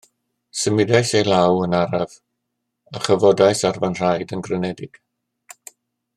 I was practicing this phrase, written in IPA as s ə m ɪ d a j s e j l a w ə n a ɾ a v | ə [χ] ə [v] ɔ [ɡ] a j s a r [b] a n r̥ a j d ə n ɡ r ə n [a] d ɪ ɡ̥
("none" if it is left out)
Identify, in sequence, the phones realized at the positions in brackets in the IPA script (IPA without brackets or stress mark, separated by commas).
χ, v, d, v, ɛ